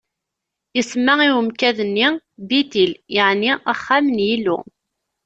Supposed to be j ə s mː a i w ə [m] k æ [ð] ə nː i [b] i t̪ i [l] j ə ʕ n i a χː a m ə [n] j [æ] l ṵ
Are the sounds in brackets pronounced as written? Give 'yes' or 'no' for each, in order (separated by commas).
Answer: yes, yes, yes, yes, yes, no